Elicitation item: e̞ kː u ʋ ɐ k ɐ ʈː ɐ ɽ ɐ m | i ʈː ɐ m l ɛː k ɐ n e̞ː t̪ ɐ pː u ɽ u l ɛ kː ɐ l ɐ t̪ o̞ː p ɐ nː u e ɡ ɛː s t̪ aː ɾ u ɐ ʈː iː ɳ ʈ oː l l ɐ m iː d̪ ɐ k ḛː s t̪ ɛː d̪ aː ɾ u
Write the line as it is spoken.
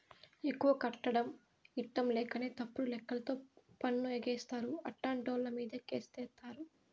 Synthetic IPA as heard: e̞ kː u ʋ ɐ k ɐ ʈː ɐ ɽ ɐ m | i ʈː ɐ m l ɛː k ɐ n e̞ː t̪ ɐ pː u ɽ u l ɛ kː ɐ l ɐ t̪ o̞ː p ɐ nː u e ɡ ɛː s t̪ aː ɾ u ɐ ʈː aː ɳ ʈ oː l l ɐ m iː d̪ ɐ k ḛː s t̪ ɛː t̪ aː ɾ u